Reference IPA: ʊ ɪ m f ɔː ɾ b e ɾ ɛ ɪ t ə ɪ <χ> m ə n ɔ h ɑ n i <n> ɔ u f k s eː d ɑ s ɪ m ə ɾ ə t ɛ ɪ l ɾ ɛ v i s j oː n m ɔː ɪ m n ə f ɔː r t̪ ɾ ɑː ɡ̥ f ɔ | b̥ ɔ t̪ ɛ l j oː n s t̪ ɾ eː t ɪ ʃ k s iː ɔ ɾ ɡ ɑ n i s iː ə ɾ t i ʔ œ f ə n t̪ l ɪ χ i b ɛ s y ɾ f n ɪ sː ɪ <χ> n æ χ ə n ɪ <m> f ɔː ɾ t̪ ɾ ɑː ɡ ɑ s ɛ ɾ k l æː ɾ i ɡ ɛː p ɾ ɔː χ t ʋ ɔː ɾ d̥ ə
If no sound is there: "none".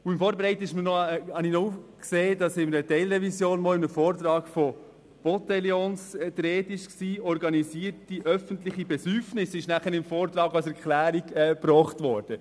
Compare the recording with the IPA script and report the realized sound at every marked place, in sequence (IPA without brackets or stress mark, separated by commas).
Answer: ʃ, n, ʃ, m